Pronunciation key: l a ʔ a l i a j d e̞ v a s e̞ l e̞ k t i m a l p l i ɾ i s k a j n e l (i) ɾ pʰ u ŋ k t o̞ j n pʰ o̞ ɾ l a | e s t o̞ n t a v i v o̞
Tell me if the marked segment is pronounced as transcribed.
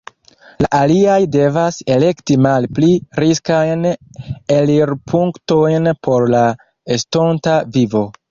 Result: yes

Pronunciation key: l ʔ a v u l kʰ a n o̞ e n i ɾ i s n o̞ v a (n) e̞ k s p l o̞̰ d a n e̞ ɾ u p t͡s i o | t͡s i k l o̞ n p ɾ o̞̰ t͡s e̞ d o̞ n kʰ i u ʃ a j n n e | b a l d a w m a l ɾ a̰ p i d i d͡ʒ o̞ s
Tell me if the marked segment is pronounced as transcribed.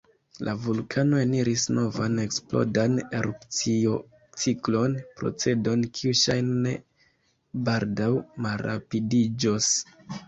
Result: yes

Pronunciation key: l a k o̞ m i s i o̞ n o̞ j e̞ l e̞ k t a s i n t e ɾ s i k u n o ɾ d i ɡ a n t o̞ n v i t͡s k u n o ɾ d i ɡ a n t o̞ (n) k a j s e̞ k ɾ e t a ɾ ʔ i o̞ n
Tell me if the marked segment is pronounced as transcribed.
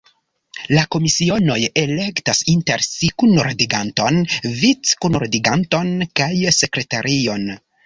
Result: yes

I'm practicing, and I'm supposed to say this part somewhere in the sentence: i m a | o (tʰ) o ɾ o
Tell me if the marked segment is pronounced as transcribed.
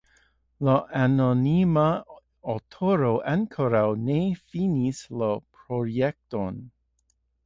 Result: yes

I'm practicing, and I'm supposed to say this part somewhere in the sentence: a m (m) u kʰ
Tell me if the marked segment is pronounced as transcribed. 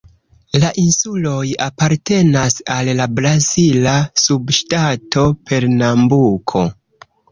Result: no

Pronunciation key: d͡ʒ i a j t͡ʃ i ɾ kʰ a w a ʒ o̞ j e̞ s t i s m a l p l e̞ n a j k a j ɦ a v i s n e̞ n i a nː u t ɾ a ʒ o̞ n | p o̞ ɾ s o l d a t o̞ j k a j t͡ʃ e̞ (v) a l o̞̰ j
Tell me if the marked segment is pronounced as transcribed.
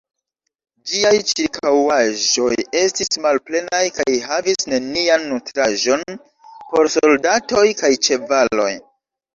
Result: yes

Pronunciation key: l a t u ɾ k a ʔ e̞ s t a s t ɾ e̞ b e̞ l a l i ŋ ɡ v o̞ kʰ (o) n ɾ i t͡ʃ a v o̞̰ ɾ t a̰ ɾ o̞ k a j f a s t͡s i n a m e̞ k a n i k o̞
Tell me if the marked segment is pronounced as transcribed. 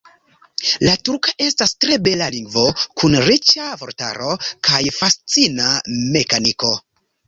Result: no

